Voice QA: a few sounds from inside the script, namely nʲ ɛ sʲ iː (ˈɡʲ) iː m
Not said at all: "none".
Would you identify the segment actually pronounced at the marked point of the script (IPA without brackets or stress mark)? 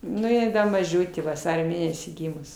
ɡʲ